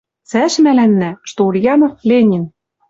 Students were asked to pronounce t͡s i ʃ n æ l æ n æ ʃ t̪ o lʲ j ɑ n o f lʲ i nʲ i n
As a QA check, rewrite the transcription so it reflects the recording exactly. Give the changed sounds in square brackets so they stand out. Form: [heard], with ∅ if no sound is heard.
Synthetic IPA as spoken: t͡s [æ] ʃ [m] æ l æ [nː] æ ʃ t̪ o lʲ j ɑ n o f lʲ [e] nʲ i n